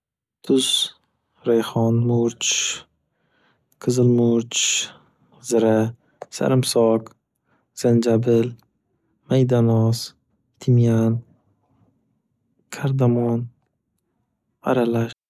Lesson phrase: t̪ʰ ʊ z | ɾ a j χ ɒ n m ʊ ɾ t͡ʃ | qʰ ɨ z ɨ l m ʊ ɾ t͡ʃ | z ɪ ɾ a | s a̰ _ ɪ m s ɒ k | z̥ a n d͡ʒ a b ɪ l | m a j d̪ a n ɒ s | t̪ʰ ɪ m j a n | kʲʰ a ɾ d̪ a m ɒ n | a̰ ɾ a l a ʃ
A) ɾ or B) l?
A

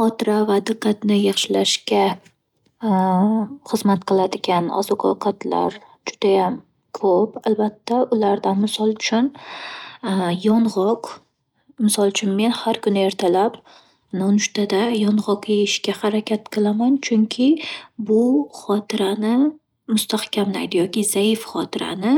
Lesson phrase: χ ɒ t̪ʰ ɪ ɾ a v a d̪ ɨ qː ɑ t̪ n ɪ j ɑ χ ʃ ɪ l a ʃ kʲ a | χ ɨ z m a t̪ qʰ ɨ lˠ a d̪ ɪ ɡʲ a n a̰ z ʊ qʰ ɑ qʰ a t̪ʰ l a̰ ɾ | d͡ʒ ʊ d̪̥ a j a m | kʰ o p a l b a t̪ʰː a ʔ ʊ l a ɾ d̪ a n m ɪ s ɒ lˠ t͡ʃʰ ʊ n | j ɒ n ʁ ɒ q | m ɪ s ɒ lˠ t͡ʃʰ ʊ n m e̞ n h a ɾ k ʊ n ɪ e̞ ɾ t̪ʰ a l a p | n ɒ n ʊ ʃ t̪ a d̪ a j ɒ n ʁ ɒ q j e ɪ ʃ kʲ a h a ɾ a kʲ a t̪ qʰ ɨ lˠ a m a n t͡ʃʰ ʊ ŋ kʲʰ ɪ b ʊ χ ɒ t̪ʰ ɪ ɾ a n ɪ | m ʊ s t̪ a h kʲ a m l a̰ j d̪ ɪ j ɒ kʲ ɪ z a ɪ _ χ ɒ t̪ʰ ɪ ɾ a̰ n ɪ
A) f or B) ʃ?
A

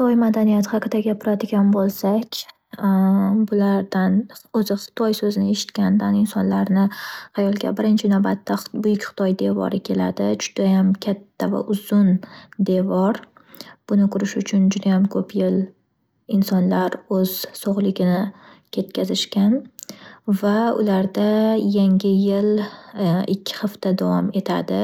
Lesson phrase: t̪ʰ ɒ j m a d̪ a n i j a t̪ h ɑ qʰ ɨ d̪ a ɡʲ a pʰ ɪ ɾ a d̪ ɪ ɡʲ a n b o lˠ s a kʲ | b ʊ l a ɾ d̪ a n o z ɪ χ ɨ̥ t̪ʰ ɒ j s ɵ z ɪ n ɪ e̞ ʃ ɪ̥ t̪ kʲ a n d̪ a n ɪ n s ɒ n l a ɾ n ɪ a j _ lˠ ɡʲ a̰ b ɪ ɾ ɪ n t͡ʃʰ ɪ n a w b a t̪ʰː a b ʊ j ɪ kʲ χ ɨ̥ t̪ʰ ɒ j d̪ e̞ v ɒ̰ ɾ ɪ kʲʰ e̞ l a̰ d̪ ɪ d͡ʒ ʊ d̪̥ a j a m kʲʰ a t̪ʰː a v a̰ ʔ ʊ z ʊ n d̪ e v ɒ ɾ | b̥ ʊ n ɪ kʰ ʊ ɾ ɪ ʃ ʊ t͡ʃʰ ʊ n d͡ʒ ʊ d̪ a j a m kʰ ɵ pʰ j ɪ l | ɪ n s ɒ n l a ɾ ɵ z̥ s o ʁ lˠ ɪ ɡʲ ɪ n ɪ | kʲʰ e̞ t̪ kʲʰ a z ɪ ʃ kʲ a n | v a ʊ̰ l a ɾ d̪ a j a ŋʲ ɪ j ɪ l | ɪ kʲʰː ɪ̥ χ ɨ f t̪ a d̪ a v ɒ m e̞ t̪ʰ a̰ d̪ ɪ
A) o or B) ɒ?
B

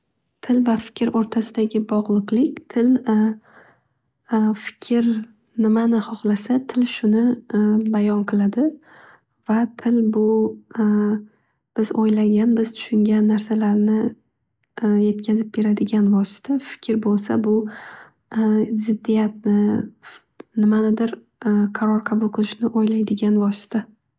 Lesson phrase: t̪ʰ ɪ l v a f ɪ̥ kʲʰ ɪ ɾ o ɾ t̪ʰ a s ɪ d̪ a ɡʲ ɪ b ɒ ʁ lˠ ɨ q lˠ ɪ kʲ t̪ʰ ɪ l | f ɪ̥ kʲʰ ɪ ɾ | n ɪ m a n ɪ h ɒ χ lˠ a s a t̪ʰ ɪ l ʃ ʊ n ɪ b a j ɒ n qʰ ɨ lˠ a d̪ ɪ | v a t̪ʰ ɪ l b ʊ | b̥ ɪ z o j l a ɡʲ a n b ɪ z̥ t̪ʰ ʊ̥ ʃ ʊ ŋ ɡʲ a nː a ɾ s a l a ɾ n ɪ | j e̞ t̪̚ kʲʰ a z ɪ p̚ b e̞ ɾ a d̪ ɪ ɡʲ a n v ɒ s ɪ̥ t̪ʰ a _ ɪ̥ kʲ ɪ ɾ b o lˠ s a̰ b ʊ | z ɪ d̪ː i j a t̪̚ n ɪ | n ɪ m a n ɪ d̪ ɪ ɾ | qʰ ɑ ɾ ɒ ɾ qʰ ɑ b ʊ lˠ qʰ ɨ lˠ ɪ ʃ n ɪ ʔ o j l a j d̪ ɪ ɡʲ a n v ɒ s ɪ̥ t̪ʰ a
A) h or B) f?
B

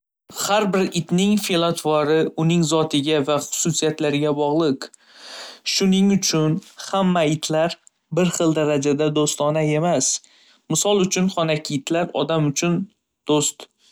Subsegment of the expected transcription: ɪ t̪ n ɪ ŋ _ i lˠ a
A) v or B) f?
B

